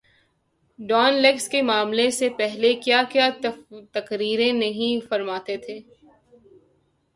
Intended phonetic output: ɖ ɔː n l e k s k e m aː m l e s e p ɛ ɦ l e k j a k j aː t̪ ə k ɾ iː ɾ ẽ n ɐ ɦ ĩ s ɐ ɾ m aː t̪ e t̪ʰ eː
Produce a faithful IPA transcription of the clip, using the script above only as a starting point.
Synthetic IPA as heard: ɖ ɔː n l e k s k e m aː m l e s e p ɛ ɦ l e k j a k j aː t̪ ɐ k ɾ iː ɾ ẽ n ɐ ɦ ĩ f ɐ ɾ m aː t̪ e t̪ʰ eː